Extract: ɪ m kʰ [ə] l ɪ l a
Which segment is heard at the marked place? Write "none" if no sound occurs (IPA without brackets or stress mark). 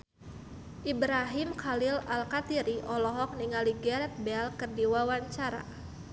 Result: a